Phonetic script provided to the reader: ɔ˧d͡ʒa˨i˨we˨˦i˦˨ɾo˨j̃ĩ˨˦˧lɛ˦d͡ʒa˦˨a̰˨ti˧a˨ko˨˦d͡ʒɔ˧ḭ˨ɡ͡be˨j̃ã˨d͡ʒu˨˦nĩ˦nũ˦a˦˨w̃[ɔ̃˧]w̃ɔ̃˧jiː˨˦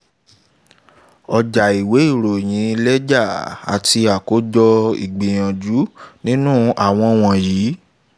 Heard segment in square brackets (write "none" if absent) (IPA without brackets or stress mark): ɔ̃˧